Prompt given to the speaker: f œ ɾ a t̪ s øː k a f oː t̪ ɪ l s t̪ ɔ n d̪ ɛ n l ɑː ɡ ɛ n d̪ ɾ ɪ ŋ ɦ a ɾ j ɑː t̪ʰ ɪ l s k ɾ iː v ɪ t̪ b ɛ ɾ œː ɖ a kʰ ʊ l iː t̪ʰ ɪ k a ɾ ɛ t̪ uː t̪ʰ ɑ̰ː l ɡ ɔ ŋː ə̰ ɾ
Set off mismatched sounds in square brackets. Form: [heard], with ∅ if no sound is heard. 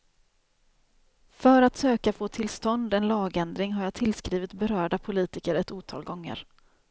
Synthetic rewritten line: f œ ɾ a t̪ s øː k a f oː [t̪ʰ] ɪ l s t̪ ɔ n d̪ ɛ n l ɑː ɡ ɛ n d̪ ɾ ɪ ŋ ɦ a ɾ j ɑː t̪ʰ ɪ l s k ɾ iː v ɪ t̪ b ɛ ɾ œː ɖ a [pʰ] ʊ l iː [t̪] ɪ k [ə] ɾ ɛ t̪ uː t̪ʰ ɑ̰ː l ɡ ɔ ŋː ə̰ ɾ